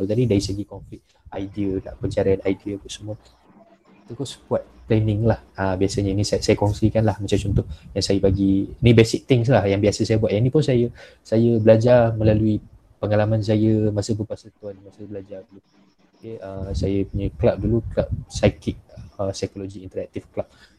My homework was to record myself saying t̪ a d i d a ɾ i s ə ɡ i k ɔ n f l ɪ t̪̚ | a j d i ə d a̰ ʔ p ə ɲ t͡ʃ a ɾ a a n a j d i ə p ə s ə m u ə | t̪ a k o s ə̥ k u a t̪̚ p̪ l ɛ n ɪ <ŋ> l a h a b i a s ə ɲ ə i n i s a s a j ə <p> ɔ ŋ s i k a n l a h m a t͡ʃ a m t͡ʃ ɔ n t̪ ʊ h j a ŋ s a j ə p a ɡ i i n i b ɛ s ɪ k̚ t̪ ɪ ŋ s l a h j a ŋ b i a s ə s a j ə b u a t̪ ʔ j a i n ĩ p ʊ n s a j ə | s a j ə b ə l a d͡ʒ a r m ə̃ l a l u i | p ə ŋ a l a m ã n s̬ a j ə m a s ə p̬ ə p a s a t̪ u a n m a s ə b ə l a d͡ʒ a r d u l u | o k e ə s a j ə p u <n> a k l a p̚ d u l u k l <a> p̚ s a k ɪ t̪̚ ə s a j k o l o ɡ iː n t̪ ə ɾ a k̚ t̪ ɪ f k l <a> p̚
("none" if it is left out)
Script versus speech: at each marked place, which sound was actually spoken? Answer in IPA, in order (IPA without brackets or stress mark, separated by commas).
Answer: ŋ, k, ɲ, a, a